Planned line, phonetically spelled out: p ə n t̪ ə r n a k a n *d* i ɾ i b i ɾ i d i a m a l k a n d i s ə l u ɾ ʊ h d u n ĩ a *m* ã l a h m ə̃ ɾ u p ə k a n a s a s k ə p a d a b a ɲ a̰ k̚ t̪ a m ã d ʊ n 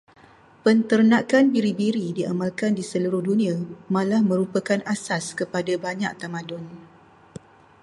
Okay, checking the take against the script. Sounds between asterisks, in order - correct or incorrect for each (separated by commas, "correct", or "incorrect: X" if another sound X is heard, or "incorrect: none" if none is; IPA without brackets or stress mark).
incorrect: b, correct